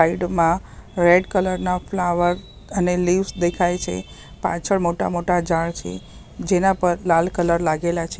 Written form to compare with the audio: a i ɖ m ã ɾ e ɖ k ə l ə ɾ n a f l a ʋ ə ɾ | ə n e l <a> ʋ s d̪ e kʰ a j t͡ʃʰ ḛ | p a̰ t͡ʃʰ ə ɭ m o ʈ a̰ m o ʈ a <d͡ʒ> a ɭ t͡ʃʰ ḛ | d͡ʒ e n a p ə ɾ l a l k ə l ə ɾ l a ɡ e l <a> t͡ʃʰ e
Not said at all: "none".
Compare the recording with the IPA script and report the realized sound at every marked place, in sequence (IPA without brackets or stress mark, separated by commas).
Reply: i, d͡ʒ, a